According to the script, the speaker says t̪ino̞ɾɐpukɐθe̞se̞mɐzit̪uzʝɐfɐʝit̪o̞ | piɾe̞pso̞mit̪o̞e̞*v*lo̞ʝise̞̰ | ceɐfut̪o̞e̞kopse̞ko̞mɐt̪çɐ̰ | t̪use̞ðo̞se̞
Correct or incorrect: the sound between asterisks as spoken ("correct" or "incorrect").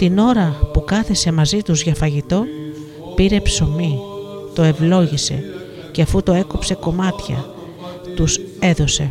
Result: correct